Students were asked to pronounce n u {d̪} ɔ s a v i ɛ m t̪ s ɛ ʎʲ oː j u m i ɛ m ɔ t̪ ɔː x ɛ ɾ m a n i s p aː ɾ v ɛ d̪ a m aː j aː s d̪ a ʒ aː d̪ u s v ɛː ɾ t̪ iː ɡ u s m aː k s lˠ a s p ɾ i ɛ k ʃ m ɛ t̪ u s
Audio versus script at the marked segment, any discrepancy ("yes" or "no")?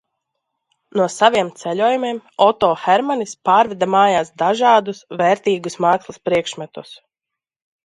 yes